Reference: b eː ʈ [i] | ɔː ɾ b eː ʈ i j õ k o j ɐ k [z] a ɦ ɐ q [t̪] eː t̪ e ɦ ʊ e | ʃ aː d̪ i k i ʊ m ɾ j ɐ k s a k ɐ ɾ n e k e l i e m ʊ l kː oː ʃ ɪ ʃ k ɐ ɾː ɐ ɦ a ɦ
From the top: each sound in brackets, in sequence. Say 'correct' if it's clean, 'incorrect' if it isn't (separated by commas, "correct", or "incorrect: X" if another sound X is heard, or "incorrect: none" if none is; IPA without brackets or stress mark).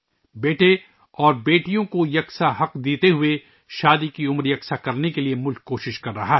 incorrect: e, incorrect: s, incorrect: d̪